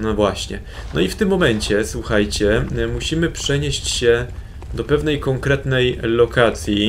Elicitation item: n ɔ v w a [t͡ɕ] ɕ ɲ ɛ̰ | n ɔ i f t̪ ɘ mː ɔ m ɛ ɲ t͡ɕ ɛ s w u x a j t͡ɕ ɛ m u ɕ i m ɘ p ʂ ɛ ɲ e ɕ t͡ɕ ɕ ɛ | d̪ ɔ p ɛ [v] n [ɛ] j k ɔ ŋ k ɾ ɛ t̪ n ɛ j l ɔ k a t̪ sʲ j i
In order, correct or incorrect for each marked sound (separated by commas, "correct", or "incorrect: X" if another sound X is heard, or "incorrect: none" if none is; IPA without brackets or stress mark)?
incorrect: none, correct, correct